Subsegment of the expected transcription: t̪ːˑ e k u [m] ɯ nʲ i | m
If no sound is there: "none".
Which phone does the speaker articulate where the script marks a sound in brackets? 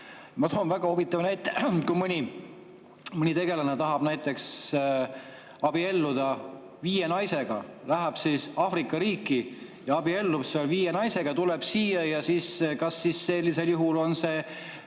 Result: m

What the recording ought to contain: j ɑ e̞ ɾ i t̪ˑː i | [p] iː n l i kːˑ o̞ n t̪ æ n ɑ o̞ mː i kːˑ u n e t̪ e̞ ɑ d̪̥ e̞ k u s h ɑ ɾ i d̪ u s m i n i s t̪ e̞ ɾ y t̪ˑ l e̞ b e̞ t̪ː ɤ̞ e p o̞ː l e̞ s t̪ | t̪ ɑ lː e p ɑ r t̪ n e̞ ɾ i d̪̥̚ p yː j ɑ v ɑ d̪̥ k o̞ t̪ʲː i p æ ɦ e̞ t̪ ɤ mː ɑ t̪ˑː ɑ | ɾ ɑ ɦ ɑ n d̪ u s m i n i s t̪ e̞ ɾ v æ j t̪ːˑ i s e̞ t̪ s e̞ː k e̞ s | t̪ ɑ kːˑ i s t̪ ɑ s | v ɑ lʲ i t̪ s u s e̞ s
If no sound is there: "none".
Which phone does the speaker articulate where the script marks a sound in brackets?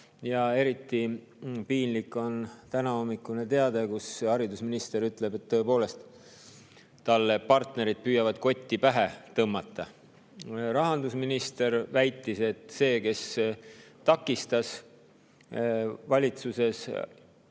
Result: p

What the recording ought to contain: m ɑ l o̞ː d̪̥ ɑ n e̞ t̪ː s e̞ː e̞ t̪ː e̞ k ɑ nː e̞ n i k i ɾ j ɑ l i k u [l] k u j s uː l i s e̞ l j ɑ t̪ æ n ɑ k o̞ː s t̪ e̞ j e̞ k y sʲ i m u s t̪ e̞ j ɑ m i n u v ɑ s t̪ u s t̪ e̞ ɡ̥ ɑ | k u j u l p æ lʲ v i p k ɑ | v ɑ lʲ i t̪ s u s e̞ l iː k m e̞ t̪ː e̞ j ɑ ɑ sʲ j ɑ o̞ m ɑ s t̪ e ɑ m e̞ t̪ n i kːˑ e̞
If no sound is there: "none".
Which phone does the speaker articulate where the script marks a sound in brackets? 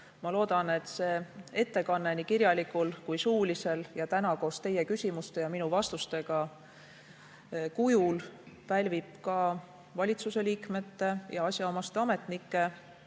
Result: l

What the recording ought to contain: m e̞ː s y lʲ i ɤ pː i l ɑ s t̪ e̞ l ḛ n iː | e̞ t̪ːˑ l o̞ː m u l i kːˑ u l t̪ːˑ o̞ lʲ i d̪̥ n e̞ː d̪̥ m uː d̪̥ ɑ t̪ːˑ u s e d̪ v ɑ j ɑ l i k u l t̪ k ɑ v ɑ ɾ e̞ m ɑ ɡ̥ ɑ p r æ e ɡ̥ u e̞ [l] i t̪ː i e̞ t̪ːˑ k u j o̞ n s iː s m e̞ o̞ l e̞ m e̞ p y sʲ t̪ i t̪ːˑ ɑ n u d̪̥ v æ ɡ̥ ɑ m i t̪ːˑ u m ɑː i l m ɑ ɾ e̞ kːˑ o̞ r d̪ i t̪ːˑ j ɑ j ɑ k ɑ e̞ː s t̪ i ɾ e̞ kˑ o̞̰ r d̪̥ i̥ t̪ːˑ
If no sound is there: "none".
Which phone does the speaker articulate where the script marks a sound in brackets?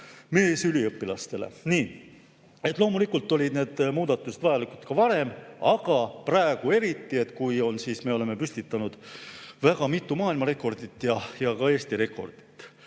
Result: ɾ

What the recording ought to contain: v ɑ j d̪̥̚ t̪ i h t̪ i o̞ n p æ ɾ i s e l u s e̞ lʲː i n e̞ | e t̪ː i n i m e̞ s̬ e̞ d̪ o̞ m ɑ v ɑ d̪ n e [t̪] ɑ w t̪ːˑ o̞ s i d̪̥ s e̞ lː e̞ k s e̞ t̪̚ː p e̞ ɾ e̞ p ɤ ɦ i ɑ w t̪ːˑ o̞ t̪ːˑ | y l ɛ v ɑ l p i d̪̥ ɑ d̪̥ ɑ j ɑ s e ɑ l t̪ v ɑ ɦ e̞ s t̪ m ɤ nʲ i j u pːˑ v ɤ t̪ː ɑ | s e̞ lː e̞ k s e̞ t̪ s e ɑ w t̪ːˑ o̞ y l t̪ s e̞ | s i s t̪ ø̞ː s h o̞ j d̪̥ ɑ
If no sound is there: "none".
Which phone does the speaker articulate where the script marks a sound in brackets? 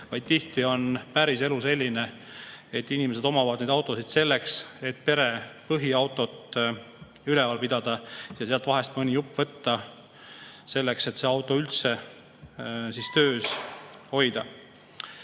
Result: d̪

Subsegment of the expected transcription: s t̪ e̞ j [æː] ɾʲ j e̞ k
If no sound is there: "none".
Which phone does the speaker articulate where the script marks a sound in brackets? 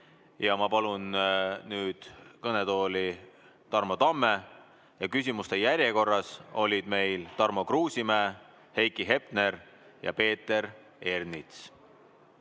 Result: æ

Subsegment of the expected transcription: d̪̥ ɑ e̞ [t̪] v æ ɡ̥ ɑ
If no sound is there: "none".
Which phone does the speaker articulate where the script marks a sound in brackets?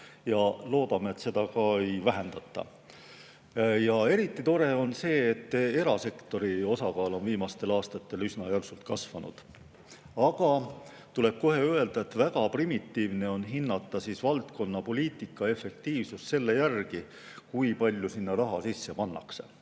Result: t̪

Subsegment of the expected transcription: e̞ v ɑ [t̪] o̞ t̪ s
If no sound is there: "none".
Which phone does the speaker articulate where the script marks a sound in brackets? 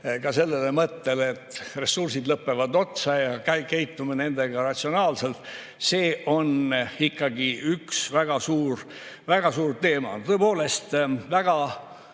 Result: d̪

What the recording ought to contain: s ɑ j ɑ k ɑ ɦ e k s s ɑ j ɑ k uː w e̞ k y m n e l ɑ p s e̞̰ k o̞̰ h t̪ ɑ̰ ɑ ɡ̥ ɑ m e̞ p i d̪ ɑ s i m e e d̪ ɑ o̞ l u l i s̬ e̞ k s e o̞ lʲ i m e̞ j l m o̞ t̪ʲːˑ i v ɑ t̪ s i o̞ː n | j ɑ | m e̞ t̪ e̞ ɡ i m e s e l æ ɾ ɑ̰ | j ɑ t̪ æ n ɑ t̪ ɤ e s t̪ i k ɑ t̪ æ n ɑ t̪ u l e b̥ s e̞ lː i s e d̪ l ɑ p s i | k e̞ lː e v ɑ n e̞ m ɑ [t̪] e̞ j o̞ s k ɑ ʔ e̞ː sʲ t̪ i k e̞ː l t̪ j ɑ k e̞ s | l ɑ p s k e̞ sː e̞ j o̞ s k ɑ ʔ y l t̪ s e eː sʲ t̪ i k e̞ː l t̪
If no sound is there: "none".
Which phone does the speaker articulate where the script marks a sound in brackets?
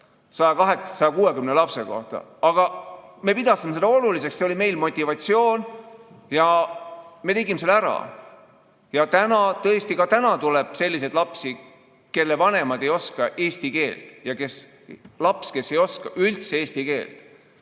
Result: d̪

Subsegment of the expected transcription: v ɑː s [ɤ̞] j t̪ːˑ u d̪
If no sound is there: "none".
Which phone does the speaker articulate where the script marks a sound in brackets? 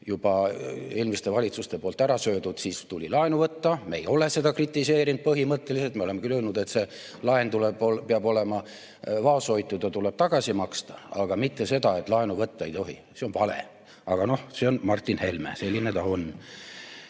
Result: o̞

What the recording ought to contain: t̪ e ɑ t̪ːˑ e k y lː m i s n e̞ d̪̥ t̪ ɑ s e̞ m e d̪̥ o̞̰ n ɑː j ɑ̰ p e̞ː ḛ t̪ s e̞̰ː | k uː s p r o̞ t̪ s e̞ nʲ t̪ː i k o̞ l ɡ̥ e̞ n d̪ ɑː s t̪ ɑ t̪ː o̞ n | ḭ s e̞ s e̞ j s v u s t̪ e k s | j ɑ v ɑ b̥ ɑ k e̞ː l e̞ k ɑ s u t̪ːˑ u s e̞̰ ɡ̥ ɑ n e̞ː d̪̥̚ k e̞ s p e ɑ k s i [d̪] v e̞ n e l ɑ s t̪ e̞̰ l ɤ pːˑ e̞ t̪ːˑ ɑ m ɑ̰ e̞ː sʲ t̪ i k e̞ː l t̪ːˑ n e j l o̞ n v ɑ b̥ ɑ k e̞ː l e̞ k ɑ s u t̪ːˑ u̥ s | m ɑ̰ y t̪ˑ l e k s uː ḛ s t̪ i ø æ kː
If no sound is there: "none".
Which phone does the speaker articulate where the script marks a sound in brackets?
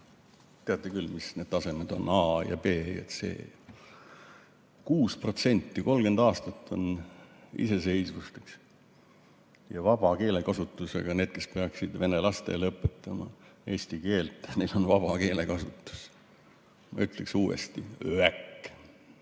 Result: d̪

